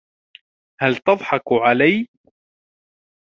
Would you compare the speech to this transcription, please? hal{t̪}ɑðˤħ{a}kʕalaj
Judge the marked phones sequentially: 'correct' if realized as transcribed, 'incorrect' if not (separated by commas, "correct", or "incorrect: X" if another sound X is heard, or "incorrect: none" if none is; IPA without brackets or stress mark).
correct, incorrect: ɑ